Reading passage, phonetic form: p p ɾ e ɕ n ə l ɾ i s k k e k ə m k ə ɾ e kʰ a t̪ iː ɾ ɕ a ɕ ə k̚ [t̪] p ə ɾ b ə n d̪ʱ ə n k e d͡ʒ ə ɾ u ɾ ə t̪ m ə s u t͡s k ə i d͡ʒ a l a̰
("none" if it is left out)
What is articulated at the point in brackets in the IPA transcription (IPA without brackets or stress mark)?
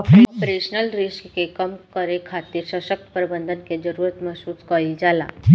t̪